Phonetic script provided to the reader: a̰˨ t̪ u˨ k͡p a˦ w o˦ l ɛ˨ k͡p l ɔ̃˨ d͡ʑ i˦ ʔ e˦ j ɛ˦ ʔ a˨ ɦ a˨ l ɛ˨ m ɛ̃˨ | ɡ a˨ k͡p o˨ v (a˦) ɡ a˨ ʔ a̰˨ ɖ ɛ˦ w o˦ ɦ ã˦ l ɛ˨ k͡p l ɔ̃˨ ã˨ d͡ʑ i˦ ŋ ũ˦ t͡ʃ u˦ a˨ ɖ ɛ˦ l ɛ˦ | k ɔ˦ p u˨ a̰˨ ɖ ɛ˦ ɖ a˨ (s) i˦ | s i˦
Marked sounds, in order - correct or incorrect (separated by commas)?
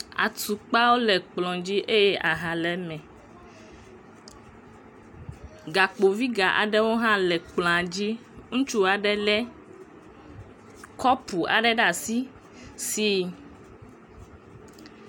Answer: incorrect, correct